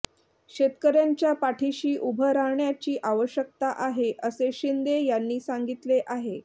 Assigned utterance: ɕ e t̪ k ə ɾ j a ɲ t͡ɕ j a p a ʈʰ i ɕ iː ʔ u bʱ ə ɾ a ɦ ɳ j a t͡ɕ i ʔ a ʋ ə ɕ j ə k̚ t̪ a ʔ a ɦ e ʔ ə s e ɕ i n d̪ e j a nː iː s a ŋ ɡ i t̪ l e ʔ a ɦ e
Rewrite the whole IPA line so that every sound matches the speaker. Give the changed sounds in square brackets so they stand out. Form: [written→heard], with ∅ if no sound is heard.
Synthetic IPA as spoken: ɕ e t̪ k ə ɾ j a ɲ t͡ɕ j a p a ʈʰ i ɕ iː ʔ u bʱ ə ɾ a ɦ ɳ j a t͡ɕ [i→iː] ʔ a ʋ ə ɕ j ə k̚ t̪ a ʔ a ɦ e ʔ ə s e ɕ i n d̪ e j a nː iː s a ŋ ɡ i t̪ l e ʔ a ɦ e